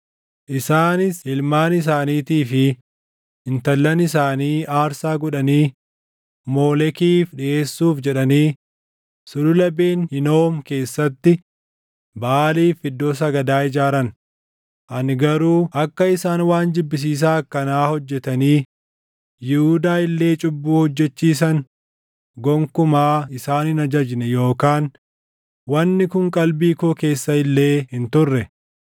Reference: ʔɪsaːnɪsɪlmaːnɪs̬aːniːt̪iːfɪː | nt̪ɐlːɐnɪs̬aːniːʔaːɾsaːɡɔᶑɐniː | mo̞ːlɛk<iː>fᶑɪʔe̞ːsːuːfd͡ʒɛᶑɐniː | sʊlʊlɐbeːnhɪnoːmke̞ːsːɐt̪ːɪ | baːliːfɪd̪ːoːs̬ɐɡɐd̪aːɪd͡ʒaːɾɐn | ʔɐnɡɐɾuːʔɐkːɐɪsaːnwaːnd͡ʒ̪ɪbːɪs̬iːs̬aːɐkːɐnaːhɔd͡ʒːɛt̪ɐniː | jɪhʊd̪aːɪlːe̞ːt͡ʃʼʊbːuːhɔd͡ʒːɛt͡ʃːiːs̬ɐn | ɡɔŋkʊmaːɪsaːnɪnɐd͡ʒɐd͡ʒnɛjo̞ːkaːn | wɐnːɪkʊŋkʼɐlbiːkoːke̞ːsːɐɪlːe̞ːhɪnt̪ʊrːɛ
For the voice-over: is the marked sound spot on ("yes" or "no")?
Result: yes